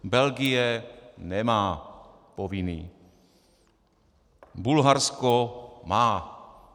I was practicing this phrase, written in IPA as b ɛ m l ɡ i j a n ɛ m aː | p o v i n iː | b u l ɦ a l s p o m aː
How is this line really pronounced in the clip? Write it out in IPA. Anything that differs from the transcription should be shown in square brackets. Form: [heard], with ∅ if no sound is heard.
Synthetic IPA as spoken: b ɛ [∅] l ɡ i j [ɛ] n ɛ m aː | p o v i n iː | b u l ɦ a [ɾ] s [k] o m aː